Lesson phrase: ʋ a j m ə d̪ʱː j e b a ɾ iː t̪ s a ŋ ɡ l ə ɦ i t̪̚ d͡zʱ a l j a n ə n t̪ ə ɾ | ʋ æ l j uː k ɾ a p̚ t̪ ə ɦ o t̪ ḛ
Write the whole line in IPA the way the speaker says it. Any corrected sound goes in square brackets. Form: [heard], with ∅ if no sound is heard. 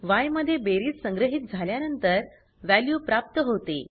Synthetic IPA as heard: ʋ a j m ə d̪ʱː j e b [e] ɾ iː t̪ s [ə] ŋ ɡ [ɾ] ə ɦ i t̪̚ d͡zʱ a l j a n ə n t̪ ə ɾ | ʋ æ l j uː [p] ɾ a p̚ t̪ ə ɦ o t̪ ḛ